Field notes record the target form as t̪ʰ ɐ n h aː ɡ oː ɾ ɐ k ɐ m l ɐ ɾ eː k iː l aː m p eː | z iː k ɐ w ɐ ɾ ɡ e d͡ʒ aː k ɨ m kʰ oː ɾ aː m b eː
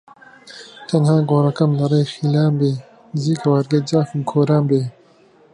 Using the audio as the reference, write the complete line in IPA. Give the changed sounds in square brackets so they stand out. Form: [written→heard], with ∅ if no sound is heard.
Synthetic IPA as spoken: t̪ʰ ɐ n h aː ɡ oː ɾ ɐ k ɐ m l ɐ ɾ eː [k→x] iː l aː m [p→b] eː | z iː k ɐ w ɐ ɾ ɡ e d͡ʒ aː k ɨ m kʰ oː ɾ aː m b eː